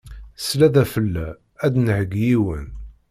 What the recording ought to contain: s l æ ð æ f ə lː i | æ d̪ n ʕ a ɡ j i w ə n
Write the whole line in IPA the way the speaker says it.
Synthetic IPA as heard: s l æ ð æ f ə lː æ | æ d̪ n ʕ ə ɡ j i w ə n